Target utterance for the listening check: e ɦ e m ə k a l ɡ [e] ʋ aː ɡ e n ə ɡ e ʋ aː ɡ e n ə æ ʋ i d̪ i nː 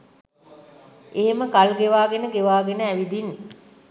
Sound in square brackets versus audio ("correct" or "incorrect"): correct